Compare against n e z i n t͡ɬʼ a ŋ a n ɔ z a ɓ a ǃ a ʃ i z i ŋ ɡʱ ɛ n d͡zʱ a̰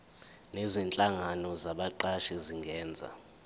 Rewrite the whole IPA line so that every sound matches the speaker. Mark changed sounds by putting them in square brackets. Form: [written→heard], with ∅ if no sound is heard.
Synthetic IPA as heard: n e z i n t͡ɬʼ a ŋ a n ɔ z a ɓ a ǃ a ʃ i z i ŋ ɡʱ [ɛ→ɛː] n d͡zʱ a̰